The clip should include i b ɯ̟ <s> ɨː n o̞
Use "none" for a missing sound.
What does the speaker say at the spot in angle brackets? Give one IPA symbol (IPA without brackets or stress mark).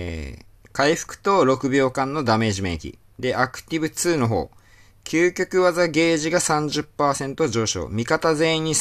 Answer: t͡s